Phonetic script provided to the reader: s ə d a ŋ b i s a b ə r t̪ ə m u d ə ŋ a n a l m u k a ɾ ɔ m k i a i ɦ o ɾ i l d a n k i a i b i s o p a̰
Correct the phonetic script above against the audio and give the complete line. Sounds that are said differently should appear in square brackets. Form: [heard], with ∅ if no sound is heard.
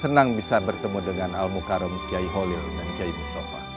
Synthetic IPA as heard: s ə [n] a ŋ b i s a b ə r t̪ ə m u d ə ŋ a n a l m u k a ɾ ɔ m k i a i ɦ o [l] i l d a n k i a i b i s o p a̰

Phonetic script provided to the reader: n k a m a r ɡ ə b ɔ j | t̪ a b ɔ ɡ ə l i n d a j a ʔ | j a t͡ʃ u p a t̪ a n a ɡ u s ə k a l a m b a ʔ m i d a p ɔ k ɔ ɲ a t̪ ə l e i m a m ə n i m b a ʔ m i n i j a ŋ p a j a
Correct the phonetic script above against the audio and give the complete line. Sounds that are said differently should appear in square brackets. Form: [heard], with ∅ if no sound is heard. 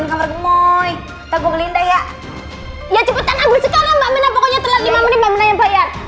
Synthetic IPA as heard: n k a m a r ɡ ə [m] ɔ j | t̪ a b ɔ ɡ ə l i n d a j a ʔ | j a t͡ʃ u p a t̪ a n a ɡ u s ə k a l a m b a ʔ m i [n] a p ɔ k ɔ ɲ a t̪ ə l [a] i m a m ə n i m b a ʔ m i n [a] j a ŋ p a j a

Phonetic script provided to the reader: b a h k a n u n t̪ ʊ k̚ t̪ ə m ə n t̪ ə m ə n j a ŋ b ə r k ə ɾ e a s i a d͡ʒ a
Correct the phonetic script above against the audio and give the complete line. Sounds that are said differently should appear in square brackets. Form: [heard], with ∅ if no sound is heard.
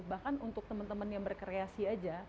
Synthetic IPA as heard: b a h k a n u n t̪ ʊ k̚ t̪ ə m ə n t̪ ə m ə n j a ŋ b ə r k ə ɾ e a s i a d͡ʒ a

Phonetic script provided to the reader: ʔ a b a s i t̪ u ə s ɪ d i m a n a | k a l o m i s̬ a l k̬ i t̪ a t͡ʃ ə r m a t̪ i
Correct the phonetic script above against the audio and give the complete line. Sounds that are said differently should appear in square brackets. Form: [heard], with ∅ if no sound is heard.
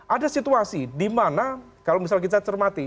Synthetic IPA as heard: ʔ a [d] a s i t̪ u [a] s [i] d i m a n a | k a l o m i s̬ a l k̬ i t̪ a t͡ʃ ə r m a t̪ i

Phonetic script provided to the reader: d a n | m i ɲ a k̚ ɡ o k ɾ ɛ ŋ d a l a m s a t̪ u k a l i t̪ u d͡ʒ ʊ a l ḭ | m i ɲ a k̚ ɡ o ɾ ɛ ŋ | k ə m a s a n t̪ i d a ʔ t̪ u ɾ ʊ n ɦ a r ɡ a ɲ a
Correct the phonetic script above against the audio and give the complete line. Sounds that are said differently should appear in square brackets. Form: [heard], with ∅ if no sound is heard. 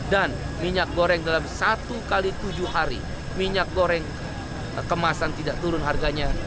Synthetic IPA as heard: d a n | m i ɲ a k̚ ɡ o [∅] ɾ ɛ ŋ d a l a m s a t̪ u k a l i t̪ u d͡ʒ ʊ a [ɾ] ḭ | m i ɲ a k̚ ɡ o ɾ ɛ ŋ | k ə m a s a n t̪ i d a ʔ t̪ u ɾ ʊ n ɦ a r ɡ a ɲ a

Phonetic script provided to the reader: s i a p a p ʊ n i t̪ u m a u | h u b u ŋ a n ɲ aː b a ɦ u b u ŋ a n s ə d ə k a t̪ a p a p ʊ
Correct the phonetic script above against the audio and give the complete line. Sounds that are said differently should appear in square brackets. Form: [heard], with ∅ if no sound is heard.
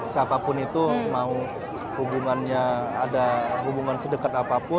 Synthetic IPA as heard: s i a p a p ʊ n i t̪ u m a u | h u b u ŋ a n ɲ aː [d] a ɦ u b u ŋ a n s ə d ə k a t̪ a p a p ʊ

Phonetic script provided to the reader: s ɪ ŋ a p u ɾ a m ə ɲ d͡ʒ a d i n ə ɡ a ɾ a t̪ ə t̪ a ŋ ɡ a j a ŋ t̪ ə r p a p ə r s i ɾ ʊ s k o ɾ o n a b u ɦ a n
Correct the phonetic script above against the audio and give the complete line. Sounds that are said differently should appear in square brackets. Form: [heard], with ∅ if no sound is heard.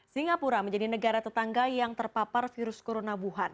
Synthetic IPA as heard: s [i] ŋ a p u ɾ a m ə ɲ d͡ʒ a d i n ə ɡ a ɾ a t̪ ə t̪ a ŋ ɡ a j a ŋ t̪ ə r p a p [a] r [f] i ɾ ʊ s k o ɾ o n a b u ɦ a n

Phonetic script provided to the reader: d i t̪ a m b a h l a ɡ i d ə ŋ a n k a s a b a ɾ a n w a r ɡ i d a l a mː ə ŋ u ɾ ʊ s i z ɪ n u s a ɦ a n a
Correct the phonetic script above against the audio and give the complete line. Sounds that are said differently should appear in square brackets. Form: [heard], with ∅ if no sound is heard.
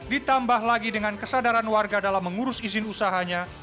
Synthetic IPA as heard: d i t̪ a m b a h l a ɡ i d ə ŋ a n k [ə] s a [d] a ɾ a n w a r ɡ [a] d a l a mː ə ŋ u ɾ ʊ s i z ɪ n u s a ɦ a [ɲ] a

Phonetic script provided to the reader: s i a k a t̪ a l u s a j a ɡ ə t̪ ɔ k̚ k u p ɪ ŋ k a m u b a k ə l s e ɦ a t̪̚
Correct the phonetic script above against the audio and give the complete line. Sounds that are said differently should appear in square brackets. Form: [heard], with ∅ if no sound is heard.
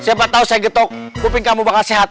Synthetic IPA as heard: s i a [p] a t̪ a [∅] u s a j a ɡ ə t̪ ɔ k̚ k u p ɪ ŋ k a m u b a k [a] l s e ɦ a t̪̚

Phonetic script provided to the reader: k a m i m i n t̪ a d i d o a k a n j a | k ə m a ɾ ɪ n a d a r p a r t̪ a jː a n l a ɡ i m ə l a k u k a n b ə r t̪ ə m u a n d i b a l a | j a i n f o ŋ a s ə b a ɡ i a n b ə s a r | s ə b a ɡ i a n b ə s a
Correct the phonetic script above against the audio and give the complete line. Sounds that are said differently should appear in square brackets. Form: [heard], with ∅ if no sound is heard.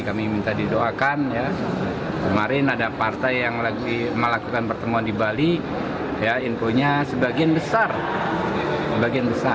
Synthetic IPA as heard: k a m i m i n t̪ a d i d o a k a n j a | k ə m a ɾ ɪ n a d a [∅] p a r t̪ a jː a [ŋ] l a ɡ i m ə l a k u k a n [p] ə r t̪ ə m u a n d i b a l [i] | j a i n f o [ɲ] a s ə b a ɡ i a n b ə s a r | s ə b a ɡ i a n b ə s a

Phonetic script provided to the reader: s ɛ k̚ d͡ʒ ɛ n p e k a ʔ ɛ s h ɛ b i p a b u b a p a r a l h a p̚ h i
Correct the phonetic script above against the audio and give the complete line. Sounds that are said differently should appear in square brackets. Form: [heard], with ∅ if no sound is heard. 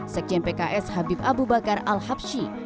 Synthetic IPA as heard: s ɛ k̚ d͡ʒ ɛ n p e k a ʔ ɛ s h [a] b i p a b u b a [k] a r a l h a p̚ [ʃ] i

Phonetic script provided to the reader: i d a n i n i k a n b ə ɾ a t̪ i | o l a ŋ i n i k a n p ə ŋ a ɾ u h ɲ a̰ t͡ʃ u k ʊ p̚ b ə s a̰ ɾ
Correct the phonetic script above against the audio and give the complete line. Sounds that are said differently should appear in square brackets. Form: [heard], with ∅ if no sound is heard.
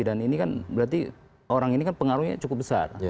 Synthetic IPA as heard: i d a n i n i k a n b ə ɾ a t̪ i | o [ɾ] a ŋ i n i k a n p ə ŋ a ɾ u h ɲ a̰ t͡ʃ u k ʊ p̚ b ə s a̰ [r]

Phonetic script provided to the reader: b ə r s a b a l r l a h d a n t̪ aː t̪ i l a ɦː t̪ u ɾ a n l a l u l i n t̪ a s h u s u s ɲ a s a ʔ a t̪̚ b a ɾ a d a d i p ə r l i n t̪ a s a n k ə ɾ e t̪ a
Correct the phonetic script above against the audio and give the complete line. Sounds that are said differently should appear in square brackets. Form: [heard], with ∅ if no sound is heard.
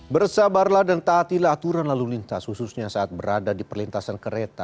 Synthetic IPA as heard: b ə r s a b a [∅] r l a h d a n t̪ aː t̪ i l a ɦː t̪ u ɾ a n l a l u l i n t̪ a s h u s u s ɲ a s a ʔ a t̪̚ b [ə] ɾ a d a d i p ə r l i n t̪ a s a n k ə ɾ e t̪ a

